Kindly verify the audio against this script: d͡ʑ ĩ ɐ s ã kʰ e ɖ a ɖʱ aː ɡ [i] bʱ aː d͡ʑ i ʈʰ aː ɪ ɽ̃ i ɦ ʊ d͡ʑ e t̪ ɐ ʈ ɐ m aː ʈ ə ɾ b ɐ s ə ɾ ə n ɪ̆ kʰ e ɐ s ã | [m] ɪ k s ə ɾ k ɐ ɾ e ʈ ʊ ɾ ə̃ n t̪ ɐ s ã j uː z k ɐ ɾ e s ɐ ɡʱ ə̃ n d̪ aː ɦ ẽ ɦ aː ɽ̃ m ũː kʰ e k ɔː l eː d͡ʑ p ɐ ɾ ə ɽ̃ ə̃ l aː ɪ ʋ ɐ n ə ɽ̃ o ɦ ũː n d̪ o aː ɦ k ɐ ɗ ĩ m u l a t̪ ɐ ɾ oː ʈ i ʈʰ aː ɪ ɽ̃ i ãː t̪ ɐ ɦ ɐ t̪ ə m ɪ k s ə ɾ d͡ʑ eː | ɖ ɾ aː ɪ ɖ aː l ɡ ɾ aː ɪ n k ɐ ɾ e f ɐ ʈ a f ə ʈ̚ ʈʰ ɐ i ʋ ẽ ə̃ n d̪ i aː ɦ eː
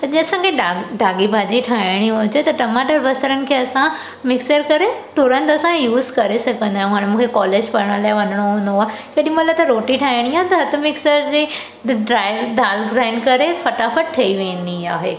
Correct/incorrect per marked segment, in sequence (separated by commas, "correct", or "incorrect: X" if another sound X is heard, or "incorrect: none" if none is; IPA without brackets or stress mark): correct, correct